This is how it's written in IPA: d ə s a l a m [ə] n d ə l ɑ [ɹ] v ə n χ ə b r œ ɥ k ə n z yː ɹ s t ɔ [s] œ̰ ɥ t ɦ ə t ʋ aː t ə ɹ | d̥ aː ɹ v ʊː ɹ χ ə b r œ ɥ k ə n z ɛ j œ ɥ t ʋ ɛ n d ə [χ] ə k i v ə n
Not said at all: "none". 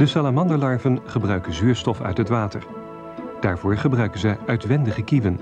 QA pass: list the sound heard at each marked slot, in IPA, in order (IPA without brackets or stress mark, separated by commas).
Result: ɑ, ɹ, f, χ